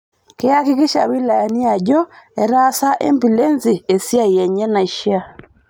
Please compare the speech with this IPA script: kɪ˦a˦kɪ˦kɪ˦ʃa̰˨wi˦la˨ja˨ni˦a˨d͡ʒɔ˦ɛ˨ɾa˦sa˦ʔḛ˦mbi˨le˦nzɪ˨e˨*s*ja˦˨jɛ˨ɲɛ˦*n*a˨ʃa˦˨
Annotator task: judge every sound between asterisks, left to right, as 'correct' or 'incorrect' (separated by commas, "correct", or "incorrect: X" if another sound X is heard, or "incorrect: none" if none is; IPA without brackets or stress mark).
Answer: correct, correct